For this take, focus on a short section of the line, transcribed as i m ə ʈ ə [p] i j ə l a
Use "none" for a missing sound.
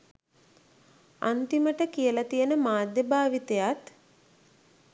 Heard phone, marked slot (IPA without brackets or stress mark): k